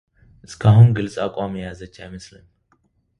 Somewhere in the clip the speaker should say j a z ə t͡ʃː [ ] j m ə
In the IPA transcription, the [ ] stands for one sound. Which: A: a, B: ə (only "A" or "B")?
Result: A